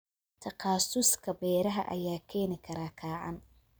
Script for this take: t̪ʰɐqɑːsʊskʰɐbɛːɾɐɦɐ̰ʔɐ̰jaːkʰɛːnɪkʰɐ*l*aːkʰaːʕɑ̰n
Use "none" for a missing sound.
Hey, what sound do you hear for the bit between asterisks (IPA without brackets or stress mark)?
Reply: ɾ